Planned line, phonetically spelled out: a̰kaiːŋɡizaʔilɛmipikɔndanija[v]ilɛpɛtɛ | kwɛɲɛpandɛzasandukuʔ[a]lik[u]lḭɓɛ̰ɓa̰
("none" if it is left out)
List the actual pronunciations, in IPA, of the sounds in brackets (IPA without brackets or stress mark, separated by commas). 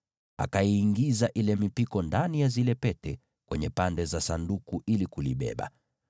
z, i, u